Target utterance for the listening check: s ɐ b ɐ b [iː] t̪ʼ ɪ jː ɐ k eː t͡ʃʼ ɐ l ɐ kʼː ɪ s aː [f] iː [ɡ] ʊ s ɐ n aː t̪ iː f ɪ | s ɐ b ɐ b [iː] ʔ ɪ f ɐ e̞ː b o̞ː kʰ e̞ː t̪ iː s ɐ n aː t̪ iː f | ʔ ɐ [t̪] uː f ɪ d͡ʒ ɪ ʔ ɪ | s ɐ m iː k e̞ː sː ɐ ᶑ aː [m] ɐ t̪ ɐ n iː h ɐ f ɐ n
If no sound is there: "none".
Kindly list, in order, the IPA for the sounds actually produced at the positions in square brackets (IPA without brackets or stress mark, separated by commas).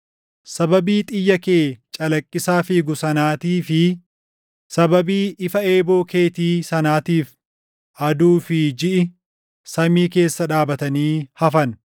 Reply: iː, f, ɡ, iː, d̪, b